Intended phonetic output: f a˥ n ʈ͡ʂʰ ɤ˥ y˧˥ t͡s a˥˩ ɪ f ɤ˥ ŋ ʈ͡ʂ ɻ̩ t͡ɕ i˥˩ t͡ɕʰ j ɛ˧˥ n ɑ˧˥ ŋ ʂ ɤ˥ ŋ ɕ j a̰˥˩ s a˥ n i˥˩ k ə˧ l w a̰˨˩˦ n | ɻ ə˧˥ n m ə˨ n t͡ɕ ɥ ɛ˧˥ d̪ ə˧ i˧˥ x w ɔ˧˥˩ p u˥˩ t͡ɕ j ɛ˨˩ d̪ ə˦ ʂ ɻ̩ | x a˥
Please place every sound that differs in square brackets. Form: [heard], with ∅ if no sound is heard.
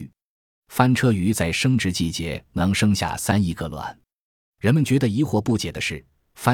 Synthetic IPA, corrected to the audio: f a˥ n ʈ͡ʂʰ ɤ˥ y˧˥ t͡s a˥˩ ɪ [ʂ] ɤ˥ ŋ ʈ͡ʂ ɻ̩ t͡ɕ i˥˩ [t͡ɕ] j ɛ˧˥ n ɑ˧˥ ŋ ʂ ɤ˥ ŋ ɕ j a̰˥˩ s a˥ n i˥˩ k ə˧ l w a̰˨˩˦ n | ɻ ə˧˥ n m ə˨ n t͡ɕ ɥ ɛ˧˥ d̪ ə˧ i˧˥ x w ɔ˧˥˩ p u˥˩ t͡ɕ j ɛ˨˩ d̪ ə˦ ʂ ɻ̩ | [f] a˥